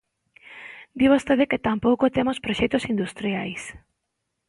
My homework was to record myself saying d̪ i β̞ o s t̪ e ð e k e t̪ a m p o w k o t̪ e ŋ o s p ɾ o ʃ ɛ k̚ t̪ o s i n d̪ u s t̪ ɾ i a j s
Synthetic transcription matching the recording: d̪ i β̞ o s t̪ e ð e k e t̪ a m p o w k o t̪ e m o s p ɾ o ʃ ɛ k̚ t̪ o s i n d̪ u s t̪ ɾ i a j s